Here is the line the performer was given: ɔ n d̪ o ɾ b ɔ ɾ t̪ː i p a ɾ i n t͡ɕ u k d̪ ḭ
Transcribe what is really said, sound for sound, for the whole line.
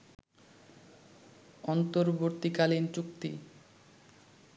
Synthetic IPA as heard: ɔ n t̪ o ɾ b o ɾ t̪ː i k a l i n t͡ɕ u k t̪ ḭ